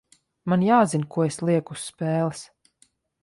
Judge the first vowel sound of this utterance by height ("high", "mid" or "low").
low